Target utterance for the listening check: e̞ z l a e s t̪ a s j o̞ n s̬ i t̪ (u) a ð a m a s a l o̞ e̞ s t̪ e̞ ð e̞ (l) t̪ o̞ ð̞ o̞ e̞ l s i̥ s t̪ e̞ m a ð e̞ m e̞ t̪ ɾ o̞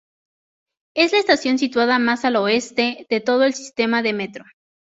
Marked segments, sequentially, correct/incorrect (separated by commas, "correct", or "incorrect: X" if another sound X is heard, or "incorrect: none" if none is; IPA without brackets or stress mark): incorrect: w, incorrect: none